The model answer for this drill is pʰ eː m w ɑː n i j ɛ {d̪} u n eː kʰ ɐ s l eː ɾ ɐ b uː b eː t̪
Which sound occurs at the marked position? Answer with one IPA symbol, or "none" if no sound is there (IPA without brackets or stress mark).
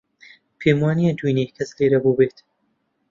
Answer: d̪